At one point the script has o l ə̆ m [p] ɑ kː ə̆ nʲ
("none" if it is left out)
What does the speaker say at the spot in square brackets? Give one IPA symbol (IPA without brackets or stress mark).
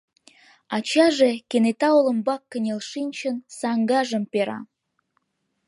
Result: b